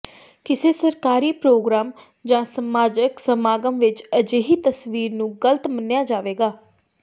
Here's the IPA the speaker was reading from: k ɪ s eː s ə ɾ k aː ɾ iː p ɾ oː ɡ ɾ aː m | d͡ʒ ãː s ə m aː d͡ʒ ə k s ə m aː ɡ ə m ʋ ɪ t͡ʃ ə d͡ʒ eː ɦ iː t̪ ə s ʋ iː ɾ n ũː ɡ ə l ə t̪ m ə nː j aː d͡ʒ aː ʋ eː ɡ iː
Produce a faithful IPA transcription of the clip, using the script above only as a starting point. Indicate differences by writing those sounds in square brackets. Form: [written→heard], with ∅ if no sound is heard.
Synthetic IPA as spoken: k ɪ s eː s ə ɾ k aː ɾ iː p ɾ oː ɡ ɾ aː m | d͡ʒ ãː s ə m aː d͡ʒ ə k s ə m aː ɡ ə m ʋ ɪ t͡ʃ ə d͡ʒ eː ɦ iː t̪ ə s ʋ iː ɾ n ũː ɡ ə l ə t̪ m ə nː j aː d͡ʒ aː ʋ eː ɡ [iː→aː]

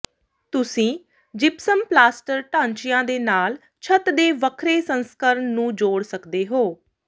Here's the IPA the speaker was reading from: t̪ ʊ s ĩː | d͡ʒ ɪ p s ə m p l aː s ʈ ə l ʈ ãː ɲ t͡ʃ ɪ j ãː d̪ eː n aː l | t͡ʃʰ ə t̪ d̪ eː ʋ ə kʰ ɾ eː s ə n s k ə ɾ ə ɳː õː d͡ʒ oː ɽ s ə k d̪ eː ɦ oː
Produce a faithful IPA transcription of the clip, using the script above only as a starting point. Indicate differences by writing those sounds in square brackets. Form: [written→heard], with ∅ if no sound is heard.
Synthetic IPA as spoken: t̪ ʊ s ĩː | d͡ʒ ɪ p s ə m p l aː s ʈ ə [l→ɾ] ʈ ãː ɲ t͡ʃ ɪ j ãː d̪ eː n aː l | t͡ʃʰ ə t̪ d̪ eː ʋ ə kʰ ɾ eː s ə n s k ə ɾ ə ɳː [õː→ũː] d͡ʒ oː ɽ s ə k d̪ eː ɦ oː

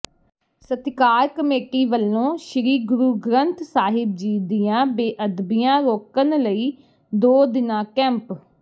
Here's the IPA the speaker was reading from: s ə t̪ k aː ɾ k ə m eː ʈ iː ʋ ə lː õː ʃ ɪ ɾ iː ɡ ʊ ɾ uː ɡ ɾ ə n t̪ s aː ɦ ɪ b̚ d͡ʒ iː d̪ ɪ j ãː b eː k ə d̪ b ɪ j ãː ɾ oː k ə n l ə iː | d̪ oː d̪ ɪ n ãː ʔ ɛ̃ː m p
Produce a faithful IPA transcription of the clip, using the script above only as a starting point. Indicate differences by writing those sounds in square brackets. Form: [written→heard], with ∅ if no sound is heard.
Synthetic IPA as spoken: s ə t̪ k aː ɾ k ə m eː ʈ iː ʋ ə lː õː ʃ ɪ ɾ iː ɡ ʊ ɾ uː ɡ ɾ ə n t̪ s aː ɦ ɪ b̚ d͡ʒ iː d̪ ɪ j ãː b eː [k→ʔ] ə d̪ b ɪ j ãː ɾ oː k ə n l ə iː | d̪ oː d̪ ɪ n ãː [ʔ→k] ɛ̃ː m p

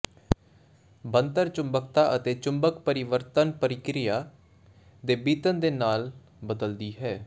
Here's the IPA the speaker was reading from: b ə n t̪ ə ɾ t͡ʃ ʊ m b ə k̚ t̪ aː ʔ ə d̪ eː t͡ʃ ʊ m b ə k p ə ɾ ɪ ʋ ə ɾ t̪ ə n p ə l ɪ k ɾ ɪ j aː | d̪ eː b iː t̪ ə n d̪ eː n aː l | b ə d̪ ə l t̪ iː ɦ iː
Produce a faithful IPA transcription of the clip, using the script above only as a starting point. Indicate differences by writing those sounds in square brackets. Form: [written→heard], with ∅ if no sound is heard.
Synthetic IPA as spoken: b ə n t̪ ə ɾ t͡ʃ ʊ m b ə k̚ t̪ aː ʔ ə [d̪→t̪] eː t͡ʃ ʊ m b ə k p ə ɾ ɪ ʋ ə ɾ t̪ ə n p ə [l→ɾ] ɪ k ɾ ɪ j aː | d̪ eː b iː t̪ ə n d̪ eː n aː l | b ə d̪ ə l [t̪→d̪] iː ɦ [iː→ɛː]

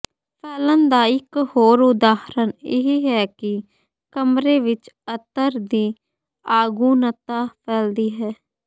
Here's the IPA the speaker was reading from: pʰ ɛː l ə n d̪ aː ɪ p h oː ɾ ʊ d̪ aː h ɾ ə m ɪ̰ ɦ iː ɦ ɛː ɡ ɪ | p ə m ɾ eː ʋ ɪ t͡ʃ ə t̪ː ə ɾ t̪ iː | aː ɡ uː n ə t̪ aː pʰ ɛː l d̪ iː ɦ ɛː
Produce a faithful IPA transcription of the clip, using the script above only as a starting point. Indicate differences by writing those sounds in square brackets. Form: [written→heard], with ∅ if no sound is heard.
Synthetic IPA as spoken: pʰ ɛː l ə n d̪ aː ɪ [p→k] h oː ɾ ʊ d̪ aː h ɾ ə [m→n] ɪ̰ ɦ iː ɦ ɛː [ɡ→k] ɪ | [p→k] ə m ɾ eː ʋ ɪ t͡ʃ ə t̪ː ə ɾ [t̪→d̪] iː | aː ɡ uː n ə t̪ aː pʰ ɛː l d̪ iː ɦ ɛː

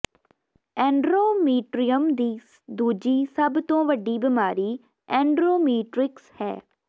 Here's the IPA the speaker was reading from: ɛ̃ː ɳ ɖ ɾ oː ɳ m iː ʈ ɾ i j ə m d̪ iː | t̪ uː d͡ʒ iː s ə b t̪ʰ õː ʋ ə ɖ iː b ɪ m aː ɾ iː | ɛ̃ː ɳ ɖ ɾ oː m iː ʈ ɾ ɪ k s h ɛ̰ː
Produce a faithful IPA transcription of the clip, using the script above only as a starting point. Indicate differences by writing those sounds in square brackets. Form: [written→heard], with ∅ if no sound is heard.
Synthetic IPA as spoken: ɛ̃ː ɳ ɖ ɾ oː [ɳ→∅] m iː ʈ ɾ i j ə m d̪ iː | [t̪→d̪] uː d͡ʒ iː s ə b [t̪ʰ→t̪] õː ʋ ə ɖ iː b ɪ m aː ɾ iː | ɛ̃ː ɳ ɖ ɾ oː m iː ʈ ɾ ɪ k s h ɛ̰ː

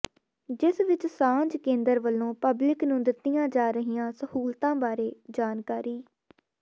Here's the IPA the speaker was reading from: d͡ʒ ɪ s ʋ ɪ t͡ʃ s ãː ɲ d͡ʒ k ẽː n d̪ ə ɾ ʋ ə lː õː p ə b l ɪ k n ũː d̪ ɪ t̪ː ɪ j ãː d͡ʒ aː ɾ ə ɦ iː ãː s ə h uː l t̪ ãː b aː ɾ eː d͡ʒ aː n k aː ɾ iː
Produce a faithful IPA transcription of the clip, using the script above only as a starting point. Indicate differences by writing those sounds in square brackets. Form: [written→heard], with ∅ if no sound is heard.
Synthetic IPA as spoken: d͡ʒ ɪ s ʋ ɪ t͡ʃ s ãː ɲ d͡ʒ k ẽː n d̪ ə ɾ ʋ ə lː õː p ə b l ɪ k n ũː d̪ ɪ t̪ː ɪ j ãː d͡ʒ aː ɾ ə ɦ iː ãː s ə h uː l t̪ ãː b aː ɾ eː d͡ʒ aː n k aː ɾ iː

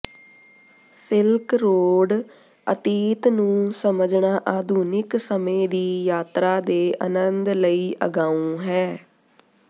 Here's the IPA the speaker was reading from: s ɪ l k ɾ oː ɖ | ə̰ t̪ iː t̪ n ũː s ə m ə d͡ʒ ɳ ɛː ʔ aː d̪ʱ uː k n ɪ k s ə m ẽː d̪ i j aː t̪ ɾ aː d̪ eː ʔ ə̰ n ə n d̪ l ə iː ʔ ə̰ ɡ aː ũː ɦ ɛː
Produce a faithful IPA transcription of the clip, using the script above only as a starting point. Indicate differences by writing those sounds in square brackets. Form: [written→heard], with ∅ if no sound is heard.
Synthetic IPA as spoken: s ɪ l k ɾ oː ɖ | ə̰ t̪ iː t̪ n ũː s ə m ə d͡ʒ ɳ [ɛː→aː] ʔ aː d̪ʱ uː [k→∅] n ɪ k s ə m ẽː d̪ [i→iː] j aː t̪ ɾ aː d̪ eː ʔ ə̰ n ə n d̪ l ə iː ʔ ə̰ ɡ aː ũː ɦ ɛː

